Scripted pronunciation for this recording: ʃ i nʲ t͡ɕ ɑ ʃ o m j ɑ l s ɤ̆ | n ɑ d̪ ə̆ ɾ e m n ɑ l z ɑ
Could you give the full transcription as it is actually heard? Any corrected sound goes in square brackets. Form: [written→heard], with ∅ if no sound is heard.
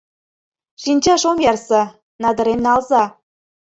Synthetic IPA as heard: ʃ i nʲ t͡ɕ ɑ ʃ o m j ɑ [l→r] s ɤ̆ | n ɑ d̪ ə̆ ɾ e m n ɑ l z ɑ